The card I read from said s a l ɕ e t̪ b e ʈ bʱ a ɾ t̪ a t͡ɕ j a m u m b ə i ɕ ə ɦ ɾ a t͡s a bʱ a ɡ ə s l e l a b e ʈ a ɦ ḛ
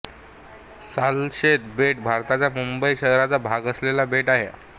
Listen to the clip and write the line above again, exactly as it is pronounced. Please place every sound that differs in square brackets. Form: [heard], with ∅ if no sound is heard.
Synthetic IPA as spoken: s a l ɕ e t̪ b e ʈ bʱ a ɾ t̪ a t͡ɕ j a m u m b ə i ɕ ə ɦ ɾ a t͡s a bʱ a ɡ ə s l e l a b e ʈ a ɦ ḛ